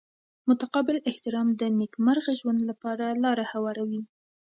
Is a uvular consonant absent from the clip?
no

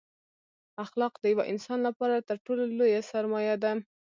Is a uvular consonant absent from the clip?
no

